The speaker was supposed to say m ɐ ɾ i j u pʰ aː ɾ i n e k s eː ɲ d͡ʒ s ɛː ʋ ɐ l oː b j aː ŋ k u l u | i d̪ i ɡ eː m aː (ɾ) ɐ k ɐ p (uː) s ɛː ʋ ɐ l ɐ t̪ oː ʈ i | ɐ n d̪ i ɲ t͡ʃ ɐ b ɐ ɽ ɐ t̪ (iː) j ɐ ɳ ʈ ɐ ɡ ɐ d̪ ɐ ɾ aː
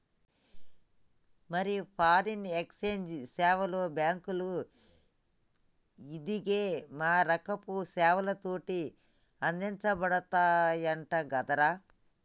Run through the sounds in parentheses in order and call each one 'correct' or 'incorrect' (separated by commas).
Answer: correct, incorrect, incorrect